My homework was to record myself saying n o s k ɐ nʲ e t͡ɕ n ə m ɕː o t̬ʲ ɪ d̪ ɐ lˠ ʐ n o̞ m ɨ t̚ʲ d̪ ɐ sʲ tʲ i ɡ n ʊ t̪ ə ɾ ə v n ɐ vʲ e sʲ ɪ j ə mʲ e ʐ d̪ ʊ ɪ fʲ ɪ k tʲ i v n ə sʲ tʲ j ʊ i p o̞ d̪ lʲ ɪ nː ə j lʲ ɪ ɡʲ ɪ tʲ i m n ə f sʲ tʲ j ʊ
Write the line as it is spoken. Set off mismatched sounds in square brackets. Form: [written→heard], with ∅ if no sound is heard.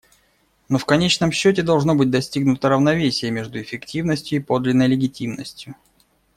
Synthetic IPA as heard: n o [s→f] k ɐ nʲ e t͡ɕ n ə m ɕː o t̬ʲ ɪ d̪ ɐ lˠ ʐ n o̞ [m→b] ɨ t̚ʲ d̪ ɐ sʲ tʲ i ɡ n ʊ t̪ ə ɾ ə v n ɐ vʲ e sʲ ɪ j ə mʲ e ʐ d̪ ʊ ɪ fʲ ɪ k tʲ i v n ə sʲ tʲ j ʊ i p o̞ d̪ lʲ ɪ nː ə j lʲ ɪ ɡʲ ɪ tʲ i m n ə [f→∅] sʲ tʲ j ʊ